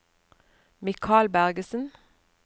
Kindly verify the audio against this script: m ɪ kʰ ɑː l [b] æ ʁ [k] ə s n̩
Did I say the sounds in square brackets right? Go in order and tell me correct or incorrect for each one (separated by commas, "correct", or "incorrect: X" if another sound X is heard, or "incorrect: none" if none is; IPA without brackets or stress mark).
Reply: correct, incorrect: ɡ